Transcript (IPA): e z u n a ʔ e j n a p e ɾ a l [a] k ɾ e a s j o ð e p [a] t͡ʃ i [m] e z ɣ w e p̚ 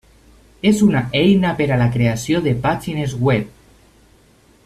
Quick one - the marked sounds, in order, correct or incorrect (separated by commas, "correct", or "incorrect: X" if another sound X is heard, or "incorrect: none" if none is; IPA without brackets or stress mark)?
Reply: correct, correct, incorrect: n